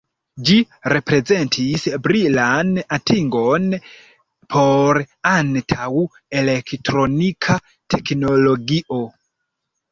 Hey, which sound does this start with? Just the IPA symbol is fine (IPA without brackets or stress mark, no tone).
d͡ʒ